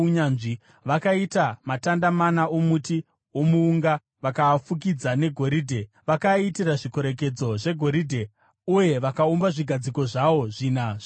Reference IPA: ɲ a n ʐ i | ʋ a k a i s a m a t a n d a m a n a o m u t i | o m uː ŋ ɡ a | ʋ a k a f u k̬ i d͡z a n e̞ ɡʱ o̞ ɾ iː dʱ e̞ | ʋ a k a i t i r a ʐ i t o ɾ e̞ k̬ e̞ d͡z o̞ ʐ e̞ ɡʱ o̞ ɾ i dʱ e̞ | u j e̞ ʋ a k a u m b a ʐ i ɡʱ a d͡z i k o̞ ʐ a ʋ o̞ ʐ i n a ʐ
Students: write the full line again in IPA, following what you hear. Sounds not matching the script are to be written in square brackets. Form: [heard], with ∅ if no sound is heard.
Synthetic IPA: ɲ a n ʐ i | ʋ a k a i [t] a m a t a n d a m a n a o m u t i | o m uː ŋ ɡ a | ʋ a k a f u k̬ i d͡z a n e̞ ɡʱ o̞ ɾ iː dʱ e̞ | ʋ a k a i t i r a ʐ i [k] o ɾ e̞ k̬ e̞ d͡z o̞ ʐ e̞ ɡʱ o̞ ɾ i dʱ e̞ | u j e̞ ʋ a k a u m b a ʐ i ɡʱ a d͡z i k o̞ ʐ a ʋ o̞ ʐ i n a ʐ